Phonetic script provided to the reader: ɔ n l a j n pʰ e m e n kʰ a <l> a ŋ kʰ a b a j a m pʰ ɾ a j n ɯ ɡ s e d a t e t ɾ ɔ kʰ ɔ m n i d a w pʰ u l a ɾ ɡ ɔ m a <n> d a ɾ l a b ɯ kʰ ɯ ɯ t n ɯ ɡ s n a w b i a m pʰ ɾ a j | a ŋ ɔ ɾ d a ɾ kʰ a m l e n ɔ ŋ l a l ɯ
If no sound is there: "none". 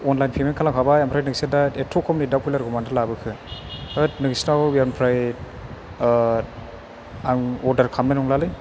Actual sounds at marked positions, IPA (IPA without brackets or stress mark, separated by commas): l, n